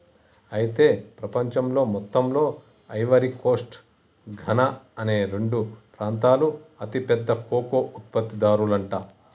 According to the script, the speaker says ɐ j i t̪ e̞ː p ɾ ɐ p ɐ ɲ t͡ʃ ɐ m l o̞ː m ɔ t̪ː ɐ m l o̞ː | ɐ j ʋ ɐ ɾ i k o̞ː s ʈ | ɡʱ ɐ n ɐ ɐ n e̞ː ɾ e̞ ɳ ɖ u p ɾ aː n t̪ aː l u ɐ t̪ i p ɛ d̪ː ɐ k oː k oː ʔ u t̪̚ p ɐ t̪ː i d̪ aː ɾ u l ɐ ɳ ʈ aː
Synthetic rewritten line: ɐ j i t̪ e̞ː p ɾ ɐ p ɐ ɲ t͡ʃ ɐ m l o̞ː m ɔ t̪ː ɐ m l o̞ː | ɐ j ʋ ɐ ɾ i k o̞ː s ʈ | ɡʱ ɐ n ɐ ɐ n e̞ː ɾ e̞ ɳ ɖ u p ɾ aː n t̪ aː l u ɐ t̪ i p ɛ d̪ː ɐ k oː k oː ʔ u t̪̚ p ɐ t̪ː i d̪ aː ɾ u l ɐ ɳ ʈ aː